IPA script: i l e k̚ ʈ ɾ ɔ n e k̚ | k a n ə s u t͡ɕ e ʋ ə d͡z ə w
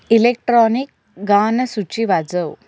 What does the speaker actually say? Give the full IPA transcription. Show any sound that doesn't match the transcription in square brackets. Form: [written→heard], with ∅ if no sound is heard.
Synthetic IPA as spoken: i l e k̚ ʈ ɾ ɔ n [e→i] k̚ | [k→ɡ] a n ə s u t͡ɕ [e→i] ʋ [ə→a] d͡z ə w